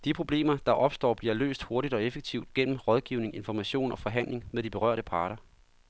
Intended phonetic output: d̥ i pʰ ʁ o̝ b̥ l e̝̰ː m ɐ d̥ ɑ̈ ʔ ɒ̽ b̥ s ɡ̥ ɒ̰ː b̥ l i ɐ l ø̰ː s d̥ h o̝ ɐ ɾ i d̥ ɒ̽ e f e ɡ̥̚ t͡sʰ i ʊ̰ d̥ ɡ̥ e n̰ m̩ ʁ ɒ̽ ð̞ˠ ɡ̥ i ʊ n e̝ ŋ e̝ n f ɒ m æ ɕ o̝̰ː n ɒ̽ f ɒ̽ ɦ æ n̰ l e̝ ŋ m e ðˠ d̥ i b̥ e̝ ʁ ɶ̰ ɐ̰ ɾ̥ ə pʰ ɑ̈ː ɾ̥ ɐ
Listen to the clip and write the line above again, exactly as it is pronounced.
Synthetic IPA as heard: d̥ i pʰ ʁ o̝ b̥ l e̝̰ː m ɐ d̥ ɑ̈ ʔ ɒ̽ b̥ s d̥ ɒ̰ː b̥ l i ɐ l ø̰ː s d̥ h o̝ ɐ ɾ i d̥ ɒ̽ e f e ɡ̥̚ t͡sʰ i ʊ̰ d̥ ɡ̥ e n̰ m̩ ʁ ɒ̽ ð̞ˠ ɡ̥ i ʊ n e̝ ŋ e̝ n f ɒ m æ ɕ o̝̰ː n ɒ̽ f ɒ̽ ɦ æ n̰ l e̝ ŋ m e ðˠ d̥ i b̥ e̝ ʁ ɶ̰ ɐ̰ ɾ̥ ə pʰ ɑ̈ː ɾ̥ ɐ